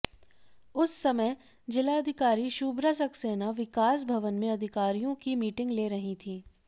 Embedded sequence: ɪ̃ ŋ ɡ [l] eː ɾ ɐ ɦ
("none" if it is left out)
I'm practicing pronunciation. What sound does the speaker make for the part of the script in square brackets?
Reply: l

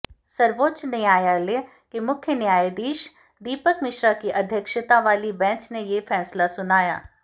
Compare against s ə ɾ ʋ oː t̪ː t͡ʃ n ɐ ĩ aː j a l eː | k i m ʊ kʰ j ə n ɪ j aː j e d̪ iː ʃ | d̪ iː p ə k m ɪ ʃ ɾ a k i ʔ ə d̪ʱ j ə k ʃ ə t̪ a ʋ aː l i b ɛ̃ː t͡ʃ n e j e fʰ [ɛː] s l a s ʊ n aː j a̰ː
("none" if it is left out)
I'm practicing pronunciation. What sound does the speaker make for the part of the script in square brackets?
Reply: ɛː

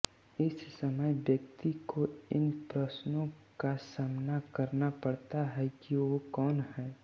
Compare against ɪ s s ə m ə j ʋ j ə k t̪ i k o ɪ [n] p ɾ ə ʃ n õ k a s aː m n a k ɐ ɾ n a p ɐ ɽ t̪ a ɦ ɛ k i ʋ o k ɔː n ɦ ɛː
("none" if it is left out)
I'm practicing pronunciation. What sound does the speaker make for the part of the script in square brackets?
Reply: n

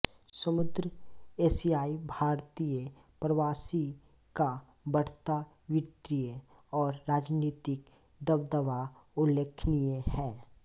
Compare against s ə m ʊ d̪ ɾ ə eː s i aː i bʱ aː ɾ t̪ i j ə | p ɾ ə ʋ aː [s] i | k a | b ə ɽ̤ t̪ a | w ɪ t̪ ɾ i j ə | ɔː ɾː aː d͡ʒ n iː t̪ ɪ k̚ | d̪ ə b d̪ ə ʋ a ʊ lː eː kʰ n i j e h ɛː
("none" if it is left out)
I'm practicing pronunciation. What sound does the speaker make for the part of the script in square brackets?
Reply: s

